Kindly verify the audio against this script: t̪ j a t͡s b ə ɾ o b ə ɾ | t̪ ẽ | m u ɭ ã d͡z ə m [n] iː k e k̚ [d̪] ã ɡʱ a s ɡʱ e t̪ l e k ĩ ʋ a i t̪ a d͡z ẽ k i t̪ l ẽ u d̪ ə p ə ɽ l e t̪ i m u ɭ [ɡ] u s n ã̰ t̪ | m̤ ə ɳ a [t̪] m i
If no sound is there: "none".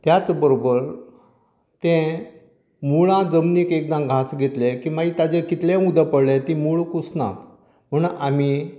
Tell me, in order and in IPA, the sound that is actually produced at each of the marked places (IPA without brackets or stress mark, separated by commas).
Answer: n, d̪, k, none